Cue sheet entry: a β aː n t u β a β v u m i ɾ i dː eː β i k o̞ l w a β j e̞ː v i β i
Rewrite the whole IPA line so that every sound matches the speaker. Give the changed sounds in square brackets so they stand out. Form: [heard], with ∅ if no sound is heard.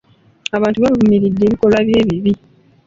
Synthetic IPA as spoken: a β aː n t u β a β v u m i ɾ i dː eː β i k o̞ l w a β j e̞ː [β] i β i